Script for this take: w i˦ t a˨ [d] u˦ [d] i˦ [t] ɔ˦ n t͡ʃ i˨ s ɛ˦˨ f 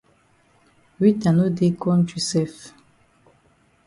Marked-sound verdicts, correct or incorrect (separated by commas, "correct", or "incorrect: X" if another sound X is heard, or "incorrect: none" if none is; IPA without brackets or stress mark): incorrect: n, correct, incorrect: k